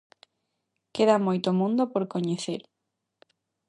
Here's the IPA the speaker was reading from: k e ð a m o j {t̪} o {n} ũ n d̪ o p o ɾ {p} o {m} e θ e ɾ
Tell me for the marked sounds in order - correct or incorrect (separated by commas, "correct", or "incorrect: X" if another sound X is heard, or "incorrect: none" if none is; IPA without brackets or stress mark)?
correct, incorrect: m, incorrect: k, incorrect: ɲ